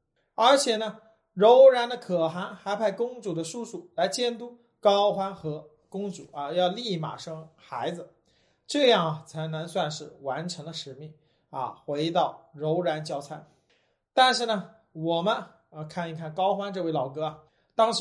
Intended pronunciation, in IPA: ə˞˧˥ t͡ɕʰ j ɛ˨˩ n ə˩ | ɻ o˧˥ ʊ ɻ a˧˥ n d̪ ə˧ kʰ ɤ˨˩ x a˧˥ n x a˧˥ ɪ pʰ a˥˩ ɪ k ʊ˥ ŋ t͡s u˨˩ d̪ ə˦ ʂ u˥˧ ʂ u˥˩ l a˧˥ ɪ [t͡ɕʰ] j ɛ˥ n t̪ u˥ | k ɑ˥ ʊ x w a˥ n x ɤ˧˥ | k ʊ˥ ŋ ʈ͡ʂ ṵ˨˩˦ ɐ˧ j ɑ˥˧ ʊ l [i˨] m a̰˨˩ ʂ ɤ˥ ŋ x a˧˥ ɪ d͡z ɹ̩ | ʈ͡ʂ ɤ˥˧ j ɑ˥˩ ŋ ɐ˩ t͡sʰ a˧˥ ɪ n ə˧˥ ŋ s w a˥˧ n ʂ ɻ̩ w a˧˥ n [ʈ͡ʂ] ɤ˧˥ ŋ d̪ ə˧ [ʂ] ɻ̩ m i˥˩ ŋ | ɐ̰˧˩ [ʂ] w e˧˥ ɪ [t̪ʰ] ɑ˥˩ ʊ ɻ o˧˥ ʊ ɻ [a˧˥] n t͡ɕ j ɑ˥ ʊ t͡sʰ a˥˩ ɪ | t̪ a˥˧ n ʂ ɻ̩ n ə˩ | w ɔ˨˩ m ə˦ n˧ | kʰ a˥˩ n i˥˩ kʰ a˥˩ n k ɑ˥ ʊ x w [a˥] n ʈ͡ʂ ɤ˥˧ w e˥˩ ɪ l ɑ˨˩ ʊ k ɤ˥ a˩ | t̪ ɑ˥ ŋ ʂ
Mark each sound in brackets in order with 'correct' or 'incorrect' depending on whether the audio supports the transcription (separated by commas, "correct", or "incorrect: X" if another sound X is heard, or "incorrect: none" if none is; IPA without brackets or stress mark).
incorrect: t͡ɕ, incorrect: i˥˩, incorrect: ʈ͡ʂʰ, correct, incorrect: x, incorrect: t̪, correct, correct